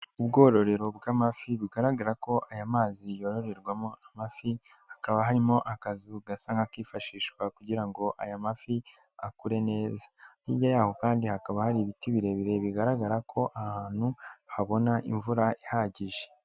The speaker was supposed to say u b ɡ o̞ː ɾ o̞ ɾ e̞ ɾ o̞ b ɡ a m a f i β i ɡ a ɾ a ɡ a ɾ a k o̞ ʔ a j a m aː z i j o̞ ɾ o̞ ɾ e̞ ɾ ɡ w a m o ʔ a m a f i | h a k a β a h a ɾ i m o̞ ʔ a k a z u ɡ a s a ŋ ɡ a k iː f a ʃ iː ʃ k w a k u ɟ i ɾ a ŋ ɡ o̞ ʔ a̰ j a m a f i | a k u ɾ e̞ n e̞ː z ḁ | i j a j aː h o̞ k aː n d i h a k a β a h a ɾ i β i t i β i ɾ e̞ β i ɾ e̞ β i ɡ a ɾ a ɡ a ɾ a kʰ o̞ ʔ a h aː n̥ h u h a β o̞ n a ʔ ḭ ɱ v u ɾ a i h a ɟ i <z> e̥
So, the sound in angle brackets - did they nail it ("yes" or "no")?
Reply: no